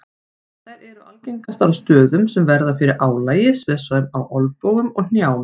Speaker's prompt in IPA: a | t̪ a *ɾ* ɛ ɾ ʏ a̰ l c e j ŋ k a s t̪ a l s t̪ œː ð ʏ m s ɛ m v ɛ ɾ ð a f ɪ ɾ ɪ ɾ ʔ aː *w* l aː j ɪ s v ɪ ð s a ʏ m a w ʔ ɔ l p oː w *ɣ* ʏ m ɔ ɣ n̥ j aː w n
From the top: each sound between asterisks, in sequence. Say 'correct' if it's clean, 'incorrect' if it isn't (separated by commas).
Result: correct, correct, correct